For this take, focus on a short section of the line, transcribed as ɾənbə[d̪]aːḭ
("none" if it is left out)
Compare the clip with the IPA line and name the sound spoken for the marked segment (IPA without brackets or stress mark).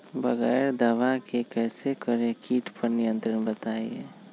t̪